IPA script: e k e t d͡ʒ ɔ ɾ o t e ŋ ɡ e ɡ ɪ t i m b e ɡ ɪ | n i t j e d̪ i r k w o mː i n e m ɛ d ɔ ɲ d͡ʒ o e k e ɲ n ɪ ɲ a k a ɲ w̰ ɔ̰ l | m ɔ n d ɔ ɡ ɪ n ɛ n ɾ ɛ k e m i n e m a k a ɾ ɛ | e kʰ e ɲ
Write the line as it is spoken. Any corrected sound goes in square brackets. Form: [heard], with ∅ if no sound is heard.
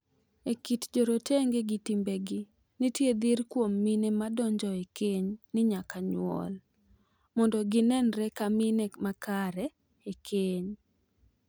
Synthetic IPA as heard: e k [i] t d͡ʒ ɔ ɾ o t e ŋ ɡ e ɡ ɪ t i m b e ɡ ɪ | n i t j e d̪ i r k w o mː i n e m [a] d ɔ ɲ d͡ʒ [ɔ] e k e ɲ n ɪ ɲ a k a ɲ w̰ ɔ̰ l | m ɔ n d ɔ ɡ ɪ n ɛ n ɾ ɛ k [a] m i n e m a k a ɾ ɛ | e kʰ e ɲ